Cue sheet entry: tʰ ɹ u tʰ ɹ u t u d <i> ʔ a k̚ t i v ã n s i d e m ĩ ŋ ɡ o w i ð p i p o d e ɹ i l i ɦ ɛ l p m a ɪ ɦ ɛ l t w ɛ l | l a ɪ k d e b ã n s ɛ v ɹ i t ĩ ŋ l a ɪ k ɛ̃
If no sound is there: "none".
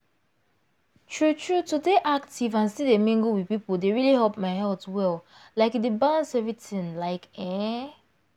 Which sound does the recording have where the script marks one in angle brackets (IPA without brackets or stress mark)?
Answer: e